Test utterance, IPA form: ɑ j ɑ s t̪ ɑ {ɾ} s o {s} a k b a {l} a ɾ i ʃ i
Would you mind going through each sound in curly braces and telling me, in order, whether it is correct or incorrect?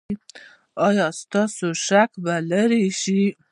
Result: incorrect, incorrect, correct

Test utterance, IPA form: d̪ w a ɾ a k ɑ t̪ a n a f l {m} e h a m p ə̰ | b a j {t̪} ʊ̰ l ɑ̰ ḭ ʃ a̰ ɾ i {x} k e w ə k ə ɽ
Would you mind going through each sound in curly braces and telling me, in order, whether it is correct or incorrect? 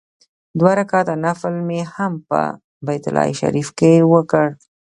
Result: correct, correct, incorrect

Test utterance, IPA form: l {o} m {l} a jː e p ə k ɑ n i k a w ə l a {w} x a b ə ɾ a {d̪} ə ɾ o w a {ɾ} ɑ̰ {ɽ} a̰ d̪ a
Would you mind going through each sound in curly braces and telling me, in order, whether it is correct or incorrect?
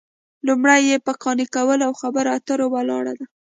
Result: incorrect, incorrect, correct, incorrect, incorrect, correct

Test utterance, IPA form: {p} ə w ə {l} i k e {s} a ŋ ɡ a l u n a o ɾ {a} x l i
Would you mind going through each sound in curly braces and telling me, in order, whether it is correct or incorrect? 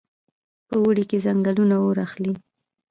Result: correct, incorrect, incorrect, correct

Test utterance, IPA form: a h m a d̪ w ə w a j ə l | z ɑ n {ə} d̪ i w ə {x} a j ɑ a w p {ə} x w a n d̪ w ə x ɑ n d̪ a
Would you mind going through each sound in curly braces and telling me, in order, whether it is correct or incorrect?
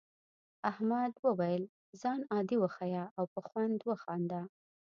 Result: incorrect, correct, correct

